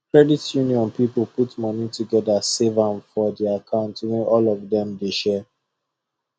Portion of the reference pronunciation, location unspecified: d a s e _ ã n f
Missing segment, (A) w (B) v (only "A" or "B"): B